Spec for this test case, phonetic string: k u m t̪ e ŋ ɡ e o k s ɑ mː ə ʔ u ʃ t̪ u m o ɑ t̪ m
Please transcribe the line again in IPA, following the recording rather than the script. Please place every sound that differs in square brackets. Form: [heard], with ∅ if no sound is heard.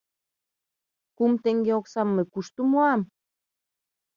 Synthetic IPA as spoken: k u m t̪ e ŋ ɡ e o k s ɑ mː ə [k] u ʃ t̪ u m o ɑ [∅] m